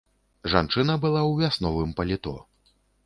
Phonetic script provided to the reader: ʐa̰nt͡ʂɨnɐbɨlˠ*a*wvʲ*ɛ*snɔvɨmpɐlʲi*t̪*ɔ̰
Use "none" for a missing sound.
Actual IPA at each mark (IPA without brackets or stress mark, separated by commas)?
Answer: a, a, t̪